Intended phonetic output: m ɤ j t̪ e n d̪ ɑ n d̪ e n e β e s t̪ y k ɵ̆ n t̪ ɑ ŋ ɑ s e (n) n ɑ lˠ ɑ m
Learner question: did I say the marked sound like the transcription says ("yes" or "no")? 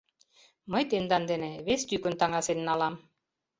yes